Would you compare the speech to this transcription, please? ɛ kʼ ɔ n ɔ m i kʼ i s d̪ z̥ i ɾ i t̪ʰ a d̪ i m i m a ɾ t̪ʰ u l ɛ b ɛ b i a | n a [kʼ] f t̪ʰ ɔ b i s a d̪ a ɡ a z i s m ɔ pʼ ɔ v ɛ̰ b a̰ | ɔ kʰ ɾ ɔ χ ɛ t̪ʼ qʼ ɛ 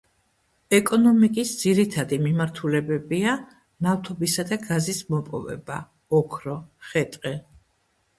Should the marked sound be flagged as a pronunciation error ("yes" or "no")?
yes